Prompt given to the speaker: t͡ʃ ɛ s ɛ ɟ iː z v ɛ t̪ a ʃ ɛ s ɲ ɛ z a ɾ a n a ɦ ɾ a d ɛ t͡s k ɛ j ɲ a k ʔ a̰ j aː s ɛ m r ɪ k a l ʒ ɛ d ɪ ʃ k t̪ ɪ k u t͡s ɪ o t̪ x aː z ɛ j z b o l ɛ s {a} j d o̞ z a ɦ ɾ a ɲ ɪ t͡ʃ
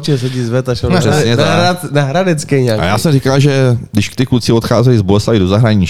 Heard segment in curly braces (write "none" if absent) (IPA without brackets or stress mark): a